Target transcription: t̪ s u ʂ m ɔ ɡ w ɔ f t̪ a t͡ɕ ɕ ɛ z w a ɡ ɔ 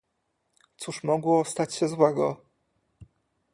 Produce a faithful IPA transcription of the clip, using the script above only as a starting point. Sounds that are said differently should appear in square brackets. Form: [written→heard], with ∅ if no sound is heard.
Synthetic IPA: t̪ s u ʂ m ɔ ɡ w ɔ [f→s] t̪ a t͡ɕ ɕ ɛ z w [a→ɛ] ɡ ɔ